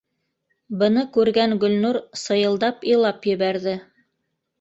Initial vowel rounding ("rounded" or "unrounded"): unrounded